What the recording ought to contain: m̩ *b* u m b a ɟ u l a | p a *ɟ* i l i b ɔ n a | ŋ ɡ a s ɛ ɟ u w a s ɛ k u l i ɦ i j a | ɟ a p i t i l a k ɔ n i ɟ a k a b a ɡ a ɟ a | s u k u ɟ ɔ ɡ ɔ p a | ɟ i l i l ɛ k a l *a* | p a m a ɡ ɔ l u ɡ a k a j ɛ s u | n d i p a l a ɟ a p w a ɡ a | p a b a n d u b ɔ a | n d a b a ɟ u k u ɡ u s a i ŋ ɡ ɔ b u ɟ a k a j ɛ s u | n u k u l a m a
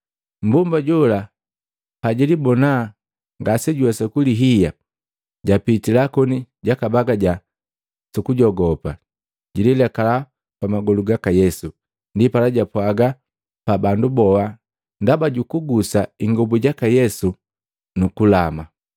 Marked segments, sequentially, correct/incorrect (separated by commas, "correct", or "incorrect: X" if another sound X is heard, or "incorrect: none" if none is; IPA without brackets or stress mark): correct, correct, correct